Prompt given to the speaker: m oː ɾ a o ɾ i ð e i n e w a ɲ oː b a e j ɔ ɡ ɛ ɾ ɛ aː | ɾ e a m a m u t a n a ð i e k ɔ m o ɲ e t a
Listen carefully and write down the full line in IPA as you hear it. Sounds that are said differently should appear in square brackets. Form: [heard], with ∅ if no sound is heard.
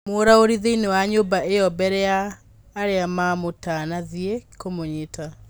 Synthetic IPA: m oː ɾ a o ɾ i ð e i n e w a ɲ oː b a e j ɔ [b] ɛ ɾ ɛ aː | ɾ e a m a m [o] t a n a ð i e k [o] m o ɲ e t a